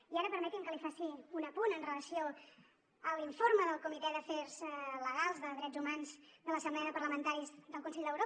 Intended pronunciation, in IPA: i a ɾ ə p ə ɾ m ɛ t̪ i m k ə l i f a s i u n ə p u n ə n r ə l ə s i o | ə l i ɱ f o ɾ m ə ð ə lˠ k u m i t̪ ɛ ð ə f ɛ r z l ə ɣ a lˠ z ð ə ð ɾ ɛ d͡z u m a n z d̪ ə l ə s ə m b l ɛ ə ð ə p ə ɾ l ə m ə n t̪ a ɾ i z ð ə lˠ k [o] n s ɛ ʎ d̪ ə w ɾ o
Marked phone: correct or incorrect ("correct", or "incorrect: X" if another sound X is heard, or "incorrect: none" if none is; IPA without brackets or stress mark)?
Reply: incorrect: u